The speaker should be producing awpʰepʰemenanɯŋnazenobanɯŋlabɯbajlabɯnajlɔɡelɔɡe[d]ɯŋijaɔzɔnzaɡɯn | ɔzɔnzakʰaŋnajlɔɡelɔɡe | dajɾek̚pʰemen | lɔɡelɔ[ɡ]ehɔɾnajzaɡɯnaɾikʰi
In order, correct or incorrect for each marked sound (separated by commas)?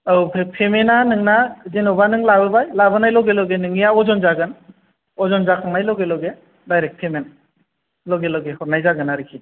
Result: incorrect, correct